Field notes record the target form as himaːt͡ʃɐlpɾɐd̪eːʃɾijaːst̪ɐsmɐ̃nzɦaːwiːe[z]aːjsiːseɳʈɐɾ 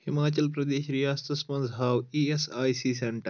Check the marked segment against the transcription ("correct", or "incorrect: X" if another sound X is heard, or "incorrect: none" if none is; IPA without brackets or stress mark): incorrect: s